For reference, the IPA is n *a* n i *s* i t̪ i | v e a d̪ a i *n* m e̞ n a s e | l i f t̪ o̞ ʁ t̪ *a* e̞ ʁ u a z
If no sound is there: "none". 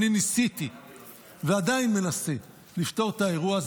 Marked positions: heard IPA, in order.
i, s, n, a

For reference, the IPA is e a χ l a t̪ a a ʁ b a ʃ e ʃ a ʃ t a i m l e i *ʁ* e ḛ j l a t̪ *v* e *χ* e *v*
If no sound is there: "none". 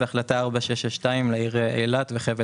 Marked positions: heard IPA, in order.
ʁ, v, χ, v

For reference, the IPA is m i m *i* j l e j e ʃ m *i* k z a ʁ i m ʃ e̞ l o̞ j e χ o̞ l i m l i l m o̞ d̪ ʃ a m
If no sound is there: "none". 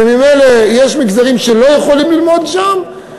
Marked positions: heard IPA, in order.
e, i

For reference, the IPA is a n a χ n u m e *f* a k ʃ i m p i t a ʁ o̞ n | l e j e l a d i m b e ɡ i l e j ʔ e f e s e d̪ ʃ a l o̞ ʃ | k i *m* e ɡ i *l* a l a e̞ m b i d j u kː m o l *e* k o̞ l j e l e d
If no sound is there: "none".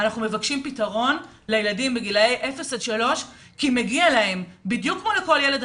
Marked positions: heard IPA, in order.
v, m, none, e

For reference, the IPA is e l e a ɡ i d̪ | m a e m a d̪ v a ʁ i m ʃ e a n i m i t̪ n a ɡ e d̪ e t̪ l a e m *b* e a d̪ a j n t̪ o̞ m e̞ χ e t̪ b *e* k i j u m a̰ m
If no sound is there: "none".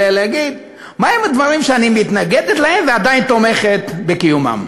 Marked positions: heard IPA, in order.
v, e

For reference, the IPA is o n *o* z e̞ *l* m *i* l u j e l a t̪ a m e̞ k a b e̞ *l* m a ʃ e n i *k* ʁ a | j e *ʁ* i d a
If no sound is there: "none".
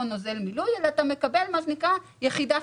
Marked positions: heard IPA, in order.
o, l, i, l, k, χ

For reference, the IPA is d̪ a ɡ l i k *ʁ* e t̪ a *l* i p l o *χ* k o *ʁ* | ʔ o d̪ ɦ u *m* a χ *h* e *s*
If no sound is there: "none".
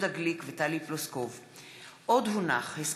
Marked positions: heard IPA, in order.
v, l, s, v, n, h, s

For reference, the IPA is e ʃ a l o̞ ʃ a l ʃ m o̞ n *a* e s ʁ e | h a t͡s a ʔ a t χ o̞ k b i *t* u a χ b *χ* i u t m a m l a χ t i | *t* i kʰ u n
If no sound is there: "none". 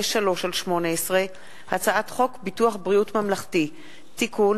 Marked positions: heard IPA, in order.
e, t, ʁ, t

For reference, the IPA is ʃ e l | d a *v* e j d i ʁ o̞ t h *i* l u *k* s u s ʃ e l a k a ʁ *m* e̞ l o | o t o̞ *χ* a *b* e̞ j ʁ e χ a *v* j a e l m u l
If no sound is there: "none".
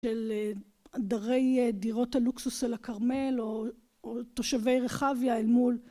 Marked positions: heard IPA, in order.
ʁ, a, k, m, ʃ, v, v

